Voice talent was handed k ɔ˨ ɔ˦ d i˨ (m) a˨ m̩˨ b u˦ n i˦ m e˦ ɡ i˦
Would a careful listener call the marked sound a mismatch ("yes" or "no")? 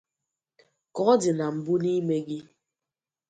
yes